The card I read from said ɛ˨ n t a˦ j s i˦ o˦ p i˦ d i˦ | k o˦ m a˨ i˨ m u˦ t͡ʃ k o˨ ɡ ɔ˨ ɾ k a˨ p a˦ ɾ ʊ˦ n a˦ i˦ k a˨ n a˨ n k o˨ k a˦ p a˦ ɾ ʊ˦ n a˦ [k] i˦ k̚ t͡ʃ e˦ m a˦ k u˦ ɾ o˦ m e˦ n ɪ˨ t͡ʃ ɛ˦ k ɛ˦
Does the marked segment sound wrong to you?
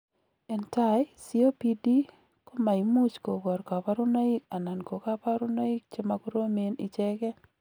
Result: yes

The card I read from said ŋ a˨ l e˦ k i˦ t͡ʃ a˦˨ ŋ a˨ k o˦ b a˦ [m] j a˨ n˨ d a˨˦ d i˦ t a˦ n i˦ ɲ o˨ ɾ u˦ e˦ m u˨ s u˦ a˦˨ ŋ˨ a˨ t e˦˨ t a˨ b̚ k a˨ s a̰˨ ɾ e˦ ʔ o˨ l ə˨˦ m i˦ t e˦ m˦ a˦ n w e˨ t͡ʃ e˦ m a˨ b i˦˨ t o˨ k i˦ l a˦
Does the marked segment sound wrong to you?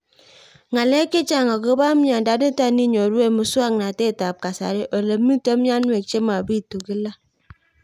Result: no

